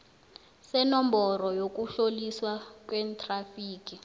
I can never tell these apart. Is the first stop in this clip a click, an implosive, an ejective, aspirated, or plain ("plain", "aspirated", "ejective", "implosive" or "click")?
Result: plain